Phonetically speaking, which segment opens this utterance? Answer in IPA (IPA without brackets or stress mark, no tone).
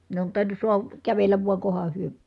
n